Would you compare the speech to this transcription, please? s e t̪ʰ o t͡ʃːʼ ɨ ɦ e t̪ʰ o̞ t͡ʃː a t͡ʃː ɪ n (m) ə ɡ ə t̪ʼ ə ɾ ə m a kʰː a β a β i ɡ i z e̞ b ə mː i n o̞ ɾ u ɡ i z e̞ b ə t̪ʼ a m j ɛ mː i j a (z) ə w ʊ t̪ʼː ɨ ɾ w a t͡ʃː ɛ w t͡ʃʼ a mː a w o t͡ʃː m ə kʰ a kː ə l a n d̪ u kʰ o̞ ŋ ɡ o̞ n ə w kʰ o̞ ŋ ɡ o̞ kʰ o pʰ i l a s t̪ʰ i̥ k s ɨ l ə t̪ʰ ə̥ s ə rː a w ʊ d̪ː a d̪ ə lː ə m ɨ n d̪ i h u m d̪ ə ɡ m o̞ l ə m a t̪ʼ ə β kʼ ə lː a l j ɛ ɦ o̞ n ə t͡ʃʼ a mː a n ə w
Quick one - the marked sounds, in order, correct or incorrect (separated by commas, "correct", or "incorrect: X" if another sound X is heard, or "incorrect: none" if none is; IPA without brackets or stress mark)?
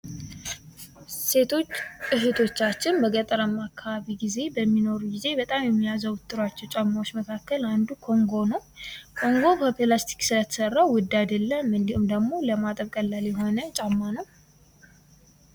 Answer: incorrect: b, correct